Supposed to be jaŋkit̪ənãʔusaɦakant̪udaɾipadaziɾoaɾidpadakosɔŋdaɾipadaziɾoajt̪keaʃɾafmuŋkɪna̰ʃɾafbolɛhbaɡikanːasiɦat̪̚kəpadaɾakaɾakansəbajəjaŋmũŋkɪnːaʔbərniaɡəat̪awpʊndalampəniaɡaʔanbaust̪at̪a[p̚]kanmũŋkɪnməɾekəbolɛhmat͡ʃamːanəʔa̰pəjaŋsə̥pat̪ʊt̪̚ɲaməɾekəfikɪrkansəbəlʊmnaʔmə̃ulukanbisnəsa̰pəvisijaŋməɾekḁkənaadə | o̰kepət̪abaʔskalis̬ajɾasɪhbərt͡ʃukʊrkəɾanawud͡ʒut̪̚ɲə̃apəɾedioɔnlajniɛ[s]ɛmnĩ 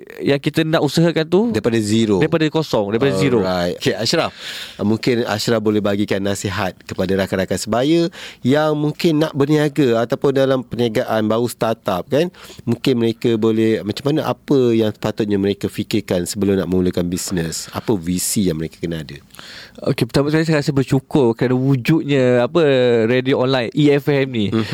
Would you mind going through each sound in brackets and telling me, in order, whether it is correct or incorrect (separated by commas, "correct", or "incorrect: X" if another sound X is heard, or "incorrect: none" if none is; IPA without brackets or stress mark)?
correct, incorrect: f